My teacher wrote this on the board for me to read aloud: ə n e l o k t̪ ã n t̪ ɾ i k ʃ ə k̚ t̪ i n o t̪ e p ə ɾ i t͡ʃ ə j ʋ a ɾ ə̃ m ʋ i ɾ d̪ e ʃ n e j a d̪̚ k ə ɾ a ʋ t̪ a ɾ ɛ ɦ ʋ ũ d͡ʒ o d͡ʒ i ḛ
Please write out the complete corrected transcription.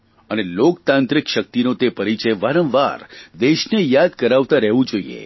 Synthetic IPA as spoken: ə n e l o k t̪ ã n t̪ ɾ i k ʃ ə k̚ t̪ i n o t̪ e p ə ɾ i t͡ʃ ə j ʋ a ɾ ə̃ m ʋ a ɾ d̪ e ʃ n e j a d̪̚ k ə ɾ a ʋ t̪ a ɾ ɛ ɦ ʋ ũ d͡ʒ o i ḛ